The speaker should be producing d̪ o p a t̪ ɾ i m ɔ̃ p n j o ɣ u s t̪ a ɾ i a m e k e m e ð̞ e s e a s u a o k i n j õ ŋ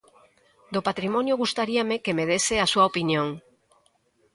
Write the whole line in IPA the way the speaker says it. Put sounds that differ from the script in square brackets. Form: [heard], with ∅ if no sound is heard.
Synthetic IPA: d̪ o p a t̪ ɾ i m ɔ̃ [∅] n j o ɣ u s t̪ a ɾ i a m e k e m e ð̞ e s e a s u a o [p] i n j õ ŋ